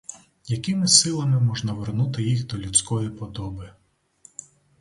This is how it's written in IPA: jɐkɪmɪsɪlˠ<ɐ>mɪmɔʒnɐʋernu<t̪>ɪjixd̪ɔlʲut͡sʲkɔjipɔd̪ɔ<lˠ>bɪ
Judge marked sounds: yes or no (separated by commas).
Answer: yes, yes, no